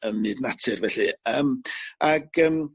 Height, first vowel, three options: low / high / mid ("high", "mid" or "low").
mid